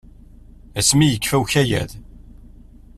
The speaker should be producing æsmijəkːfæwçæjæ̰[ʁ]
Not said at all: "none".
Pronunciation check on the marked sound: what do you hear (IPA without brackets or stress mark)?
ð